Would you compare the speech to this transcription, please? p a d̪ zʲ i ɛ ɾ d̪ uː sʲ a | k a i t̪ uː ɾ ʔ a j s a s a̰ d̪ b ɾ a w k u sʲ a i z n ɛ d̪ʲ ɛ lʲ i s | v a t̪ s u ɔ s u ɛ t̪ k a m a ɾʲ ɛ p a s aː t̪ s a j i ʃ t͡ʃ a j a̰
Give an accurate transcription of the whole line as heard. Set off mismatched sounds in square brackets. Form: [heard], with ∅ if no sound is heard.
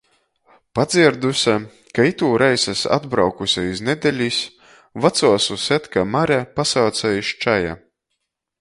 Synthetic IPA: p a d̪ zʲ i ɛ ɾ d̪ [u] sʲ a | k a i t̪ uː ɾ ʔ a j s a s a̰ d̪ b ɾ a w k u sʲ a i z n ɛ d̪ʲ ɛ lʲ i s | v a t̪ s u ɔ s u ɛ t̪ k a m a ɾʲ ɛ p a s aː t̪ s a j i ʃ t͡ʃ a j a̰

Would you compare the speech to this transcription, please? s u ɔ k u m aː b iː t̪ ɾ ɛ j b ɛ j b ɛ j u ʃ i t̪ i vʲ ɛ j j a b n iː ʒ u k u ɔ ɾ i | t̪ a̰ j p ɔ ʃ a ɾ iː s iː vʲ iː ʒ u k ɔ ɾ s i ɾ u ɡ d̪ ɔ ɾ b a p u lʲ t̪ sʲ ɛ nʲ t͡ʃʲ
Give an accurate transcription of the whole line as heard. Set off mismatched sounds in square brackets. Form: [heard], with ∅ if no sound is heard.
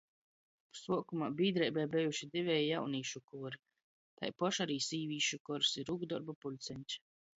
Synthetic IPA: s u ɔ k u m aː b iː [d̪] ɾ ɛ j b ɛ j b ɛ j u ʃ i [d̪] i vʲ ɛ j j a [w] n iː [ʃ] u k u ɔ ɾ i | t̪ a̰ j p ɔ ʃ a ɾ iː s iː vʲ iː [ʃ] u k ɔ ɾ s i ɾ u ɡ d̪ ɔ ɾ b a p u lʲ t̪ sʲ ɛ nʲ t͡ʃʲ

